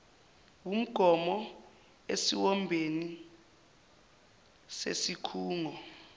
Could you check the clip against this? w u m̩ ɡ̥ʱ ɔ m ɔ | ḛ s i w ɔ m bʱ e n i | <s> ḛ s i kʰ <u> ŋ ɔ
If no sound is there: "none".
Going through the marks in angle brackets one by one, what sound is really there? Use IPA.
s, uː

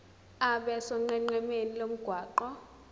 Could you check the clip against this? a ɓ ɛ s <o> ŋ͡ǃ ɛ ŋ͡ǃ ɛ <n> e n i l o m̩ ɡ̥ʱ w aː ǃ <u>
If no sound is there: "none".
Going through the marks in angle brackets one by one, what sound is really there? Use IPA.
ɔ, m, ɔ

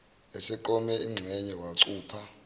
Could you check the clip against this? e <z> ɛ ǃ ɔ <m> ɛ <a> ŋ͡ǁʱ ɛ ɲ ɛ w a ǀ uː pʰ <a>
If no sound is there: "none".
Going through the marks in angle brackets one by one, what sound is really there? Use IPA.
s, m, i, a

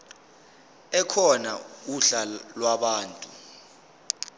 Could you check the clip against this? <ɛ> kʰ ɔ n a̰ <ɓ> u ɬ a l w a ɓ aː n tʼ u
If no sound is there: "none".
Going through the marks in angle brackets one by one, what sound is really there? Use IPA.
ɛ, none

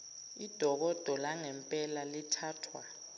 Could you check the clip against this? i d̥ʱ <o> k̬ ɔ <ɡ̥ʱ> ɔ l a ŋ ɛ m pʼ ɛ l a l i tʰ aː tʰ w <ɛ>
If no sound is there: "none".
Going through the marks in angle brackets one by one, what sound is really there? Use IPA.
ɔ, d̥ʱ, a

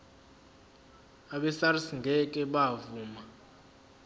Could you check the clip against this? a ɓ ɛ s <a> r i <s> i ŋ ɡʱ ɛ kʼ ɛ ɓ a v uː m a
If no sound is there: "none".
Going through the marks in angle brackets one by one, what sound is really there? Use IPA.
a, s

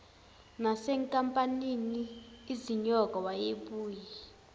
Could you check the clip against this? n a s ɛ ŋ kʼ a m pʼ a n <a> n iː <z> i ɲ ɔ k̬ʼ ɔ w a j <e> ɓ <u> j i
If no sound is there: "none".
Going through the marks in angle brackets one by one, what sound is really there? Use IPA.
i, z, e, uː

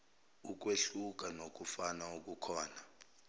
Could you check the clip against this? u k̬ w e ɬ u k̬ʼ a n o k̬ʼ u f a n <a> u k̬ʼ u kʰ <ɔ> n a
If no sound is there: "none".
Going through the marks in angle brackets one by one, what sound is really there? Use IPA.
a, ɔː

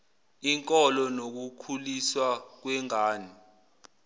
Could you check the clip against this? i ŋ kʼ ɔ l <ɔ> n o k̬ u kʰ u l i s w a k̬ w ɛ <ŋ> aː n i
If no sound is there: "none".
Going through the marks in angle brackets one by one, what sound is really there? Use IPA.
ɔ, ŋ

